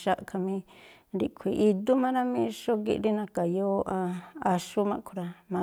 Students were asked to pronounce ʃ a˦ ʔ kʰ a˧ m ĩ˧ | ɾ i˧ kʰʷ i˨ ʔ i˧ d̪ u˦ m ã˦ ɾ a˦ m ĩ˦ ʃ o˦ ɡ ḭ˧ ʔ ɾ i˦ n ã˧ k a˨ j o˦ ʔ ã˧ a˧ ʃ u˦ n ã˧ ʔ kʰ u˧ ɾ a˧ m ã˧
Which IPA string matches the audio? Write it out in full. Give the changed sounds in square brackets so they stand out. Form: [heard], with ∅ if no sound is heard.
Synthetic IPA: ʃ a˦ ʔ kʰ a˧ m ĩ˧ | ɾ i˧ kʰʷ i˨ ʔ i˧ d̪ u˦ m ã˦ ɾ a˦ m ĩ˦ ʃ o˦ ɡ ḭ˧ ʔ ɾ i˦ n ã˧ k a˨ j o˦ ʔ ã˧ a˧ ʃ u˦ [m] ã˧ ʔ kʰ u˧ ɾ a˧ m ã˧